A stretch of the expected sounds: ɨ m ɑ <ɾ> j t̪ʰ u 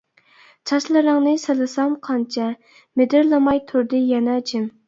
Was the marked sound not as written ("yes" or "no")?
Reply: yes